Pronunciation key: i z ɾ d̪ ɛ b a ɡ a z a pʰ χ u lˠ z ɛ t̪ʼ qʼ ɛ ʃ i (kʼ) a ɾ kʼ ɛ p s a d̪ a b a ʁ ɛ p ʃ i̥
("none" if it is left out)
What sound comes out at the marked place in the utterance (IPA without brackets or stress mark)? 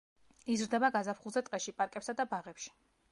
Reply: pʼ